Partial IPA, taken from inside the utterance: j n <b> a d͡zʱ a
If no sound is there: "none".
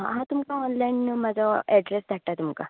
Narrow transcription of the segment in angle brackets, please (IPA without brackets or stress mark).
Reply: m